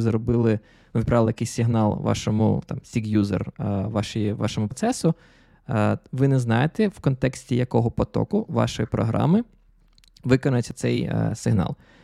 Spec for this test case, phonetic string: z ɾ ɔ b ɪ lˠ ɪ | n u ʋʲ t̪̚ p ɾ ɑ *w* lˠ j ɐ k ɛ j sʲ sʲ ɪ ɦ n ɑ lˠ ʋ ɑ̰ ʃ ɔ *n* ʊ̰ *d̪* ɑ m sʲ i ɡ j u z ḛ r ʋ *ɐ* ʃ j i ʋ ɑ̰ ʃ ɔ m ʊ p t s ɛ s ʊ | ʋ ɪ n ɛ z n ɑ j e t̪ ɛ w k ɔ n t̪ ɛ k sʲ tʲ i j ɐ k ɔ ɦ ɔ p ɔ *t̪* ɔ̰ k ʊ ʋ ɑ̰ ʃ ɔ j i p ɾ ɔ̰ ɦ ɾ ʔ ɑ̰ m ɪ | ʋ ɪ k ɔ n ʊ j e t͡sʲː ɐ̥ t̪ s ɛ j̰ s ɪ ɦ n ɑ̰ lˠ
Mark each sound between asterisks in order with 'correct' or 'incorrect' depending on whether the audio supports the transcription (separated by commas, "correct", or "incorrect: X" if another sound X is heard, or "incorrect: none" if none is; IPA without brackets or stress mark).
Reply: incorrect: ʋ, incorrect: m, incorrect: t̪, incorrect: ɑ, correct